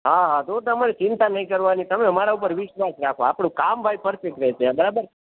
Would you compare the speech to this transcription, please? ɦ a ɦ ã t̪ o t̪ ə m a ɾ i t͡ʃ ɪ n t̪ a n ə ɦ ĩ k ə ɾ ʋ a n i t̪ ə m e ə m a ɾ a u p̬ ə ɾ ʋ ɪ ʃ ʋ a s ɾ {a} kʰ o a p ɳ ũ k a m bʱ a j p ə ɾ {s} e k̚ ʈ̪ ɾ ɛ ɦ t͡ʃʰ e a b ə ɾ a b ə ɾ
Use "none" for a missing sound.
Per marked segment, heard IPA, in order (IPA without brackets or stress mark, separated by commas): a, f